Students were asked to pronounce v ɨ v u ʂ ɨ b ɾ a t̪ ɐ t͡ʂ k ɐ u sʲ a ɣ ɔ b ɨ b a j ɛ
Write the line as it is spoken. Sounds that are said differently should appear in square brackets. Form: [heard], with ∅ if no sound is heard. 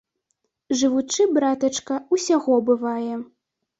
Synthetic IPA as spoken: [ʐ] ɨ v u [t͡ʂ] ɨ b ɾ a t̪ ɐ t͡ʂ k ɐ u sʲ a ɣ ɔ b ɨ [v] a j ɛ